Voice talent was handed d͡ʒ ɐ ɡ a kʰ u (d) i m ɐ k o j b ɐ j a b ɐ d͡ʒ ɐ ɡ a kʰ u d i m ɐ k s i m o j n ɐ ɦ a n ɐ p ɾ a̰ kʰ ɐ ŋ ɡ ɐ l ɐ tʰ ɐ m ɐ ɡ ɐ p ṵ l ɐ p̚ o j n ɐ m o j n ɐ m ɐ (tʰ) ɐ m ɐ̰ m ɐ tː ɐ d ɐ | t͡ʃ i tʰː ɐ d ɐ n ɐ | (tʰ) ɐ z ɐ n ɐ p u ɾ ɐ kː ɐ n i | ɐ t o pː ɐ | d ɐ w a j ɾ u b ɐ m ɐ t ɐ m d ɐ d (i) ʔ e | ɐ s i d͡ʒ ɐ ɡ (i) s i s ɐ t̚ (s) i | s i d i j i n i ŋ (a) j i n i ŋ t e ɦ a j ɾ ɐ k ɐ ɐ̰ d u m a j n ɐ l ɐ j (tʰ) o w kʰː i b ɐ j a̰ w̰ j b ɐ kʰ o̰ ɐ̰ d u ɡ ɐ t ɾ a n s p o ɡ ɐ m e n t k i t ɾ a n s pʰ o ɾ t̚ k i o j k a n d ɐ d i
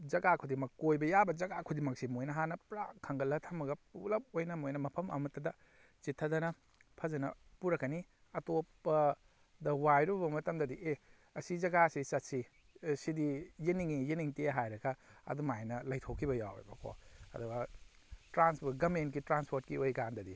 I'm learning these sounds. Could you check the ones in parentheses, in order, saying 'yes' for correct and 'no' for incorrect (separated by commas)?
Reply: yes, no, no, yes, no, yes, no, yes